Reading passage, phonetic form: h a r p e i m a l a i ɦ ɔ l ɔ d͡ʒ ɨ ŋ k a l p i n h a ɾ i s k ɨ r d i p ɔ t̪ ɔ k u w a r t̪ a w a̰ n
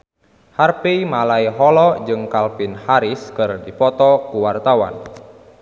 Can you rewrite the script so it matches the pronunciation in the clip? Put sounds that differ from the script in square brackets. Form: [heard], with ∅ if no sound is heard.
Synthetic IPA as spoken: h a r p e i m a l a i ɦ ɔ l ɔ d͡ʒ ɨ ŋ k a l p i n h a ɾ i s k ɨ r d i p ɔ t̪ ɔ k u w a r t̪ a w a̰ n